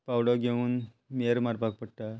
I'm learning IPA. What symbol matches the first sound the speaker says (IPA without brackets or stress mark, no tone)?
p